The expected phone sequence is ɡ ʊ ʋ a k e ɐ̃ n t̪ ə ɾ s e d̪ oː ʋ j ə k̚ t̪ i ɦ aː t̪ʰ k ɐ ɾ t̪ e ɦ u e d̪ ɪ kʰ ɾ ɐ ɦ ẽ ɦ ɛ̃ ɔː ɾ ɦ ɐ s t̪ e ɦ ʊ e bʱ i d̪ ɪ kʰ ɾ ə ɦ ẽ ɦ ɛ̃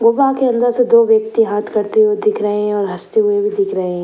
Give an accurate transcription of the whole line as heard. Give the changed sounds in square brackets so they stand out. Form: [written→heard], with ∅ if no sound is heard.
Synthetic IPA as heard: ɡ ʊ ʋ a k e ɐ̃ n [t̪→d̪] ə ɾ s e d̪ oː ʋ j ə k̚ t̪ i ɦ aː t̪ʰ k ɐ ɾ t̪ e ɦ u e d̪ ɪ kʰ ɾ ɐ ɦ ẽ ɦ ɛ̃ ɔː ɾ ɦ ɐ s t̪ e ɦ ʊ e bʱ i d̪ ɪ kʰ ɾ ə ɦ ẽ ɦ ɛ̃